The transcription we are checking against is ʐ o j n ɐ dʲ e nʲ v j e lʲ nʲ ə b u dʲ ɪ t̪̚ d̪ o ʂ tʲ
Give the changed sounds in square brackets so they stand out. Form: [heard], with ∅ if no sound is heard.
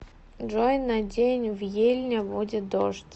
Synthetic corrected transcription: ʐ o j n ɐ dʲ e nʲ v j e lʲ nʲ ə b u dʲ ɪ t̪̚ d̪ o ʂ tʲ